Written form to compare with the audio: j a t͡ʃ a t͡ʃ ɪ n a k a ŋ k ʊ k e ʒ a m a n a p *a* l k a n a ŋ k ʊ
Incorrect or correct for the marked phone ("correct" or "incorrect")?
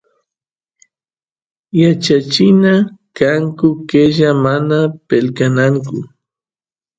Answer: incorrect